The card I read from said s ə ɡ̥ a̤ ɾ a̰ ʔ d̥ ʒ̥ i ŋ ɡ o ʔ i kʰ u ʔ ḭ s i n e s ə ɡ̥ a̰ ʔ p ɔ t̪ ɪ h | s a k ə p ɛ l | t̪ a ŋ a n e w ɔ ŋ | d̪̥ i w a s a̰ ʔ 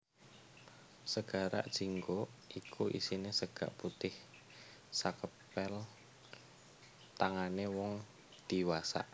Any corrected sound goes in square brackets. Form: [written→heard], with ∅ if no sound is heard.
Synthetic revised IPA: s ə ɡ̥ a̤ ɾ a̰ ʔ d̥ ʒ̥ i ŋ ɡ o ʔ i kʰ u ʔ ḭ s i n e s ə ɡ̥ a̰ ʔ p [ɔ→u] t̪ ɪ h | s a k ə p ɛ l | t̪ a ŋ a n e w ɔ ŋ | d̪̥ i w a s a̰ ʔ